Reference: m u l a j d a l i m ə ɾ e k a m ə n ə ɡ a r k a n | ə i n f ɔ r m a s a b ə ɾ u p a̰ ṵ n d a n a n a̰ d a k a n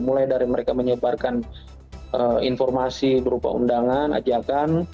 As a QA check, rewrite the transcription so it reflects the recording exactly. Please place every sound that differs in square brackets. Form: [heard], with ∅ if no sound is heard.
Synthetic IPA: m u l a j d a [ɾ] i m ə ɾ e k a m ə [ɲ] ə [b] a r k a n | ə i n f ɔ r m a s [i] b ə ɾ u p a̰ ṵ n d a [ŋ] a n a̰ [d͡ʒ] a k a n